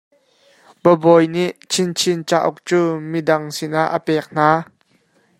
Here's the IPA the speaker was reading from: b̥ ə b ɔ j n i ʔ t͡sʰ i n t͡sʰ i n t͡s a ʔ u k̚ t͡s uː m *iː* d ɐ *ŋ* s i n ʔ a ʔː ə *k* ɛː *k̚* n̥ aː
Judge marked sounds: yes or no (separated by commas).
no, yes, no, yes